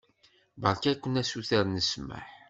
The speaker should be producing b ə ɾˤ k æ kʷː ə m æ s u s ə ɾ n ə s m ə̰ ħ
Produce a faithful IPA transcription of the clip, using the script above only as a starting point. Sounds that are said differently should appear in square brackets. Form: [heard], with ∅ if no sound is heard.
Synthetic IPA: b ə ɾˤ k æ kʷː ə [n] æ s u [θ] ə ɾ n ə s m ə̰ ħ